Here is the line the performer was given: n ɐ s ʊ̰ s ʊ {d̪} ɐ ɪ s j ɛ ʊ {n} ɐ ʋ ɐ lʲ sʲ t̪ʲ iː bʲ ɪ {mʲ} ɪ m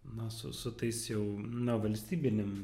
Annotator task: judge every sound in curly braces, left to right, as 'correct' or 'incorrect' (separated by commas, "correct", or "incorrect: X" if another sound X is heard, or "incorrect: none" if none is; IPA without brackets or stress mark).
incorrect: t̪, correct, incorrect: nʲ